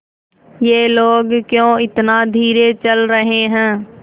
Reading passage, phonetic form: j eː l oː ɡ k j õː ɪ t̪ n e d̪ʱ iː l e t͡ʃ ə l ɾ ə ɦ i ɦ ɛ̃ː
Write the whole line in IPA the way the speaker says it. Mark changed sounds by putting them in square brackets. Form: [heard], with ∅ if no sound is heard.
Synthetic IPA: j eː l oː ɡ k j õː ɪ t̪ n [a] d̪ʱ iː [ɾ] e t͡ʃ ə l ɾ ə ɦ [e] ɦ ɛ̃ː

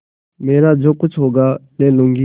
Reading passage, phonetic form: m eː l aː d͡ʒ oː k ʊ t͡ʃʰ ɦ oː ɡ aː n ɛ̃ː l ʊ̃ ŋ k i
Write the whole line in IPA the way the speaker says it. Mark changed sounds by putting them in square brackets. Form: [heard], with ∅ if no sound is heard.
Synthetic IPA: m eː [ɾ] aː d͡ʒ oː k ʊ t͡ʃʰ ɦ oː ɡ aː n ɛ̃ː l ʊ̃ ŋ [ɡ] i

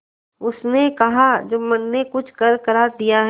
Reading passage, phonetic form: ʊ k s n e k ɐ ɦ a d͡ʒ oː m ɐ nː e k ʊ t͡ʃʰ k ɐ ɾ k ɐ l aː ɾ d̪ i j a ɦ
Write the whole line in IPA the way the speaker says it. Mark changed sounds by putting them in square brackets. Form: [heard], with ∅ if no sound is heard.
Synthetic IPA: ʊ [∅] s n e k ɐ ɦ a d͡ʒ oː m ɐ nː e k ʊ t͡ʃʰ k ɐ ɾ k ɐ [ɾ] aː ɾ d̪ i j a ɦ

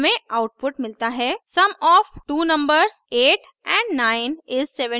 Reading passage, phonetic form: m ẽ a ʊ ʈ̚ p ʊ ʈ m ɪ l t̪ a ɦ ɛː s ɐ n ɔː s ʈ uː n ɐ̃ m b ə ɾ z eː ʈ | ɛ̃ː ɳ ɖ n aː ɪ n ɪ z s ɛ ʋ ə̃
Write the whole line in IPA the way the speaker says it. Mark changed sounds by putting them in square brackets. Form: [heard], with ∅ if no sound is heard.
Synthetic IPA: m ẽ a ʊ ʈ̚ p ʊ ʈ m ɪ l t̪ a ɦ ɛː s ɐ [m] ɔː [f] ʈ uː n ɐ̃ m b ə ɾ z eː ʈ | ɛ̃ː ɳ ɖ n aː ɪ n ɪ z s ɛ ʋ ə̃

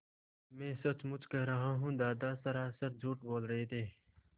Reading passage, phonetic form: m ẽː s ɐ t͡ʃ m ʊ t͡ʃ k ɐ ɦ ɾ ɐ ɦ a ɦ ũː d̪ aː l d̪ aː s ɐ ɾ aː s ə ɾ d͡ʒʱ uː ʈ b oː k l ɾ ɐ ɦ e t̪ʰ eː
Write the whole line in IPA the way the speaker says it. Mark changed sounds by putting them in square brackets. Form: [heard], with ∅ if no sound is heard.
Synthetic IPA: m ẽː s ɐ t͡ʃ m ʊ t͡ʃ k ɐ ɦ ɾ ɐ ɦ a ɦ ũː d̪ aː [∅] d̪ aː s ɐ ɾ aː s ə ɾ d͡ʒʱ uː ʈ b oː [∅] l ɾ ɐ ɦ e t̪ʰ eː

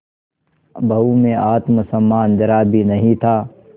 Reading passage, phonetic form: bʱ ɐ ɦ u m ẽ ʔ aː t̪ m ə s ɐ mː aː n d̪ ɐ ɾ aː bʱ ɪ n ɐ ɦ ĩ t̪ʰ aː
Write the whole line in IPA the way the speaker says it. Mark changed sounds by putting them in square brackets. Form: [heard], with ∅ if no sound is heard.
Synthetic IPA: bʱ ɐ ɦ u m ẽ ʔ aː t̪ m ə s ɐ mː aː n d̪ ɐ ɾ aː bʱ [i] n ɐ ɦ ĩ t̪ʰ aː

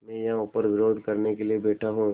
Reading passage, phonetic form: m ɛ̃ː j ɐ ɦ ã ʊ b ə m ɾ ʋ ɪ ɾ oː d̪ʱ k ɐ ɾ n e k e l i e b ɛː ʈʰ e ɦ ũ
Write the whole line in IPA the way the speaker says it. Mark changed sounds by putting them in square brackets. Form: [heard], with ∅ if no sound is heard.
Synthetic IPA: m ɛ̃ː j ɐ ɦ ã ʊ [p] ə [∅] ɾ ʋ ɪ ɾ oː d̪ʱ k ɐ ɾ n e k e l i e b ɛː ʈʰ [a] ɦ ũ

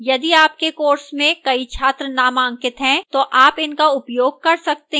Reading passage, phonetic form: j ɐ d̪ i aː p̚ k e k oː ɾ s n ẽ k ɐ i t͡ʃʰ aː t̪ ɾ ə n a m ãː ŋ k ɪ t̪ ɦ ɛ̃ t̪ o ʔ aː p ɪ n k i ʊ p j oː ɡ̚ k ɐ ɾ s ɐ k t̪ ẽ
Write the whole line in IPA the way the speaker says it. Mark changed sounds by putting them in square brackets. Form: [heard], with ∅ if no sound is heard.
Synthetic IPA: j ɐ d̪ i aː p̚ k e k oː ɾ s [m] ẽ k ɐ i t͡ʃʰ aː t̪ ɾ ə n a m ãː ŋ k ɪ t̪ ɦ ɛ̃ t̪ o ʔ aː p ɪ n k [a] ʊ p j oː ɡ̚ k ɐ ɾ s ɐ k t̪ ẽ

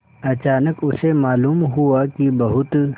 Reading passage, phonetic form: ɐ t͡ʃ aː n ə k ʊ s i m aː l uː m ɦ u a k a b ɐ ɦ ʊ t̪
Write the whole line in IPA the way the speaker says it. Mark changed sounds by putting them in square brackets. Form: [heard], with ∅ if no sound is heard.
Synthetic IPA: ɐ t͡ʃ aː n ə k ʊ s [e] m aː l uː m ɦ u a k [i] b ɐ ɦ ʊ t̪

